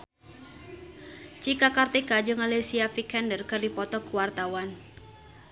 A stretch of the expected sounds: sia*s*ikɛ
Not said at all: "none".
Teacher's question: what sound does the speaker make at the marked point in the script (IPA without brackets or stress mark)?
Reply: f